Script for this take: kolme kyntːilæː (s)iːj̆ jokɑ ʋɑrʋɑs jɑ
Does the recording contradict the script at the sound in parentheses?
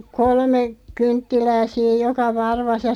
no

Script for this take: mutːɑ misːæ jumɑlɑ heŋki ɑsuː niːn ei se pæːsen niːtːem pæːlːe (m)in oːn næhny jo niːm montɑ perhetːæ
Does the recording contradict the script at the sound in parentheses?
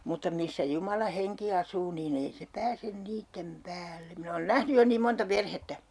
no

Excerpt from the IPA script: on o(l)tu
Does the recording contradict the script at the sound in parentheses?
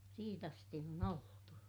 no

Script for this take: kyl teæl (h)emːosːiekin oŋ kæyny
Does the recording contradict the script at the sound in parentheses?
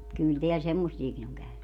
yes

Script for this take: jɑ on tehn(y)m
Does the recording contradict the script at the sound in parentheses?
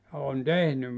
no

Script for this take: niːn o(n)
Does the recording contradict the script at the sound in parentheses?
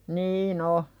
yes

